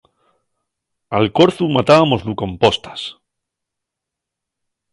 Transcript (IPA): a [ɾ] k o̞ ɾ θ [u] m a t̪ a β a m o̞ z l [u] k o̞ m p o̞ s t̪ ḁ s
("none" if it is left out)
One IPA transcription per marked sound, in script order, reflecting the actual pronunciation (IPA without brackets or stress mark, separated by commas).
l, u, u